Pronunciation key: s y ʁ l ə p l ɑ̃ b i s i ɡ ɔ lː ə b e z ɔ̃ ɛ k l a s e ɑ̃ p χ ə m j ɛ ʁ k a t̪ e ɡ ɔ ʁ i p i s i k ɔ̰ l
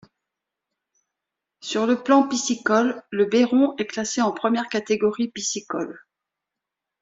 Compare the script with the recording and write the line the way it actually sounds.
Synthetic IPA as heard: s y ʁ l ə p l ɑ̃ p i s i k ɔ lː ə b e ʁ ɔ̃ ɛ k l a s e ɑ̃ p χ ə m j ɛ ʁ k a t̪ e ɡ ɔ ʁ i p i s i k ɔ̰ l